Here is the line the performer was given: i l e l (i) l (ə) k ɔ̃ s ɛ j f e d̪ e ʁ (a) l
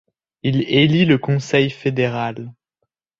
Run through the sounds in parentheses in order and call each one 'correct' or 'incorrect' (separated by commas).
correct, correct, correct